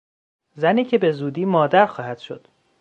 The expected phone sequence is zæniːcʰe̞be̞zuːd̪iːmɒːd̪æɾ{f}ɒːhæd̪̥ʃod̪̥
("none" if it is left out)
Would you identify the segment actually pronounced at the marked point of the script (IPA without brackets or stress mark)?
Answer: x